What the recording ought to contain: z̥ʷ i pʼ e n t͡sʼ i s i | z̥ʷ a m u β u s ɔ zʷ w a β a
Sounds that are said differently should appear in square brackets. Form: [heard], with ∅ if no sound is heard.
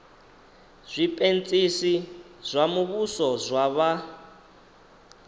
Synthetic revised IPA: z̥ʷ i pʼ e n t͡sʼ i s i | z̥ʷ a m u β u s ɔ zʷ w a β a